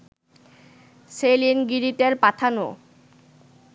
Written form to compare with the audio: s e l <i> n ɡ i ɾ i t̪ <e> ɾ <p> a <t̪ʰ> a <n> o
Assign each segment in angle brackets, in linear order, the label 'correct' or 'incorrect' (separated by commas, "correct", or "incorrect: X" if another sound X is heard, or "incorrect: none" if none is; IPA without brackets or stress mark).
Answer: correct, correct, correct, correct, correct